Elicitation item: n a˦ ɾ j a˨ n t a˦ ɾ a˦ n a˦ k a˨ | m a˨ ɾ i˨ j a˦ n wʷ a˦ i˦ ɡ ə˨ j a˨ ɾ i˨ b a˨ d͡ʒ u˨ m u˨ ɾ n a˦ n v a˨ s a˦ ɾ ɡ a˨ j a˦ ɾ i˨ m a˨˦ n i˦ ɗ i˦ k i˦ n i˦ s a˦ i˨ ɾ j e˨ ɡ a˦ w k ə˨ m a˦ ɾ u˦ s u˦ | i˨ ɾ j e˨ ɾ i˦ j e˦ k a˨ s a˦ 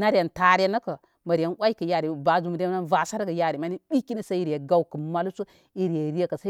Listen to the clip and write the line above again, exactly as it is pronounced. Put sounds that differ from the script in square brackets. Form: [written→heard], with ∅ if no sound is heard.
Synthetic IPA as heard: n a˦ ɾ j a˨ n t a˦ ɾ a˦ n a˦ k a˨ | m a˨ ɾ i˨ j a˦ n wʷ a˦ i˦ [ɡ→k] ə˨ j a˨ ɾ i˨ b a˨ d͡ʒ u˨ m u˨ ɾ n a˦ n v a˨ s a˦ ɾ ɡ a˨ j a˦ ɾ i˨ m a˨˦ n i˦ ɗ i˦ k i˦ n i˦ s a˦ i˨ ɾ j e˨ ɡ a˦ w k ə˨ m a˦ [ɾ→l] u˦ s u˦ | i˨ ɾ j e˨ ɾ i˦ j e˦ k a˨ s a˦